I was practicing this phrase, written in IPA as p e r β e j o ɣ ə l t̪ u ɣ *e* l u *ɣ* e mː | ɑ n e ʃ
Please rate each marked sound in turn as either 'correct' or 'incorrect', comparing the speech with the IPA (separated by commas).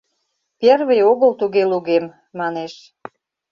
correct, correct